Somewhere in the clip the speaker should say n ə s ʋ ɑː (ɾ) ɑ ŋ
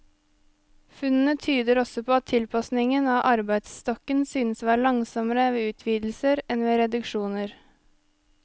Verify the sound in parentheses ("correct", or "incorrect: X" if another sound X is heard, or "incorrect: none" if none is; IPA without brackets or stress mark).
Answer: incorrect: ɭ